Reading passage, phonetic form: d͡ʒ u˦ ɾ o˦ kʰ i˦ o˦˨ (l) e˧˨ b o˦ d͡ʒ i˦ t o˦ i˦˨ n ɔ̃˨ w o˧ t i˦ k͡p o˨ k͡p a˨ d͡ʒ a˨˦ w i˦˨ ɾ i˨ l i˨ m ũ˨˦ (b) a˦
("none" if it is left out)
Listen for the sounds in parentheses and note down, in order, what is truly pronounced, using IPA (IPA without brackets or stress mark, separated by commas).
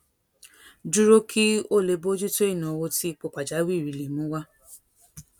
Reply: l, w